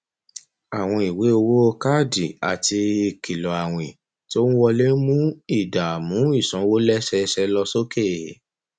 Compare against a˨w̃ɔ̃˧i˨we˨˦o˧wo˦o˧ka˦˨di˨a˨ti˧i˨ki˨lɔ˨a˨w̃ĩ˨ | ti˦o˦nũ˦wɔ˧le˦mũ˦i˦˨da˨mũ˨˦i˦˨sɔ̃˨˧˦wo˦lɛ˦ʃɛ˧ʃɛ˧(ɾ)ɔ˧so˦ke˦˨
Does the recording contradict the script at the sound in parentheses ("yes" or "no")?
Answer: yes